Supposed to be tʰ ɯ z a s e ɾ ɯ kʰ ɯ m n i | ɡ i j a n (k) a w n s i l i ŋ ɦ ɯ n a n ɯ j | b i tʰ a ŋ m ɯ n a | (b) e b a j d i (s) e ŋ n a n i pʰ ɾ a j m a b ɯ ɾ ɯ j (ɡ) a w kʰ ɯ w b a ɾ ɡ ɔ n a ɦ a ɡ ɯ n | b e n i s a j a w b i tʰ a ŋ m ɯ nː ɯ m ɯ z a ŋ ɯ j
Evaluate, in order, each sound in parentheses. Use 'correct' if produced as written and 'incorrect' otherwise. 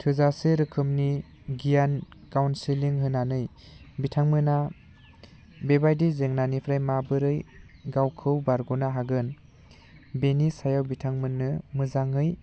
correct, correct, incorrect: z, correct

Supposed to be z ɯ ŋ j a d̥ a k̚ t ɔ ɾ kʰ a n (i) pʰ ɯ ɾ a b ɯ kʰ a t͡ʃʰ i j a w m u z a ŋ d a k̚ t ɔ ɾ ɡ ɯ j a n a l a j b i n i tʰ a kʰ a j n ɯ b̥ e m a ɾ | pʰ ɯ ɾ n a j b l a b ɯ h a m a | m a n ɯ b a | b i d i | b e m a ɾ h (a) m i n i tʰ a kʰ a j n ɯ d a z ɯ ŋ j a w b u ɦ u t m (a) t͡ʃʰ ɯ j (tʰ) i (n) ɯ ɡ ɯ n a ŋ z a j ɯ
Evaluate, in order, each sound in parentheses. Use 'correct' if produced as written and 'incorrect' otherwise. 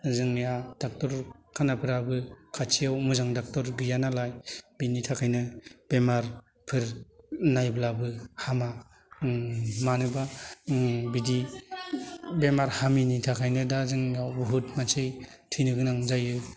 incorrect: a, correct, correct, correct, correct

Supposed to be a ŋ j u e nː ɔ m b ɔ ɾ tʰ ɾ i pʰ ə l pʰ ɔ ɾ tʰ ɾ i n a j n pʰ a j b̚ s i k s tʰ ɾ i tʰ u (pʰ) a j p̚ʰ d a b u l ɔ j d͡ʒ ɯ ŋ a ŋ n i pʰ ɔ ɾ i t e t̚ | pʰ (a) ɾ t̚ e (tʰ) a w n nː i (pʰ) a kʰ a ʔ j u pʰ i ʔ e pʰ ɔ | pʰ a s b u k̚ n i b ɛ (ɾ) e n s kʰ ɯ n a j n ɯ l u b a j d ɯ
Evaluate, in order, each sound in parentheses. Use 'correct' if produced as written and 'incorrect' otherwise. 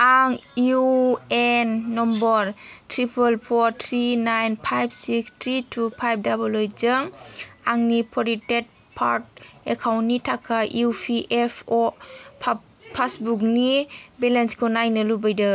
correct, correct, incorrect: kʰ, incorrect: tʰ, incorrect: l

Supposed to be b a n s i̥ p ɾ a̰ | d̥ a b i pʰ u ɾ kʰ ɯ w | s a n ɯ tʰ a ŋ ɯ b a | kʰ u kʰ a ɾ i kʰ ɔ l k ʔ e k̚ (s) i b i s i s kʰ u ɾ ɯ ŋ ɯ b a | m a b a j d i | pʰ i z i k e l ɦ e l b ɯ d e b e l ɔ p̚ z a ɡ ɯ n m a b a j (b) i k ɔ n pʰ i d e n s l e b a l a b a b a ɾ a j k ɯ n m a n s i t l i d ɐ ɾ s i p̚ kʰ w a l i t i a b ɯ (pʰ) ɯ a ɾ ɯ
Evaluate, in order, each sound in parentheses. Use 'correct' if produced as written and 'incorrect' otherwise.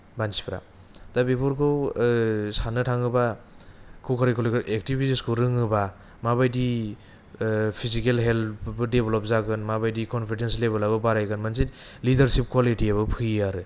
incorrect: t, incorrect: d, correct

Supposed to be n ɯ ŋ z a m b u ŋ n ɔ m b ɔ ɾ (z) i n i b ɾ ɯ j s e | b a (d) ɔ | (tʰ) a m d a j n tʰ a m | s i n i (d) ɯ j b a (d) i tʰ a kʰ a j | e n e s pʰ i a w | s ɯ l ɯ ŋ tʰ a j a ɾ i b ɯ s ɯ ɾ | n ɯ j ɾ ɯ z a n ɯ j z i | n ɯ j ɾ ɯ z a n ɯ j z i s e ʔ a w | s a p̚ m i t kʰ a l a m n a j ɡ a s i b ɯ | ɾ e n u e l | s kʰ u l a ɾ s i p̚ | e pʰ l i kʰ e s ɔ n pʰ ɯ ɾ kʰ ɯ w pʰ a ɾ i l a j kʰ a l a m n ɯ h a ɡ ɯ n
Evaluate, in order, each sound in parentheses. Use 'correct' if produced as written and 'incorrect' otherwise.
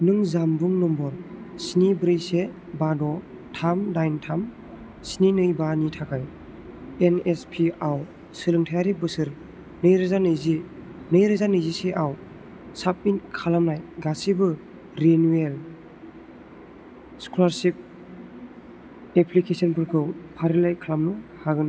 incorrect: s, correct, correct, incorrect: n, incorrect: n

